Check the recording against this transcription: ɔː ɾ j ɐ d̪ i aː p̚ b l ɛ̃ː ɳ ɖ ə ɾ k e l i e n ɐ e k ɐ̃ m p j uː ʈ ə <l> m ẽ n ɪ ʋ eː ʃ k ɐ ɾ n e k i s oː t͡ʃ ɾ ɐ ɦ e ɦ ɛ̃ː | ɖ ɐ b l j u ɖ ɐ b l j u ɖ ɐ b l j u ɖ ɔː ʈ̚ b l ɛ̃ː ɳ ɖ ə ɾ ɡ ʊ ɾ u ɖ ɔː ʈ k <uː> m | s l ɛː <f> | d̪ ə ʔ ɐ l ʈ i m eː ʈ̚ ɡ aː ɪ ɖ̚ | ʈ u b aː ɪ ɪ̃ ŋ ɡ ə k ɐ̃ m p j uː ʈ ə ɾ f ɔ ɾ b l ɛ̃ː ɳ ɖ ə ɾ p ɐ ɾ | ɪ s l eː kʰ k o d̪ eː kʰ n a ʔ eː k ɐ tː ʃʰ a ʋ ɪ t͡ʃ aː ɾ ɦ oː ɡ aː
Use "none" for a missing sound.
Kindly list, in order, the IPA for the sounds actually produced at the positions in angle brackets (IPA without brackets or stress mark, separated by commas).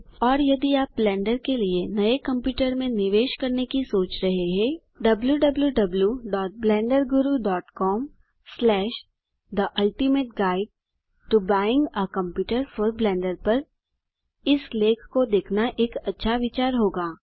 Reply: ɾ, ɔː, ʃ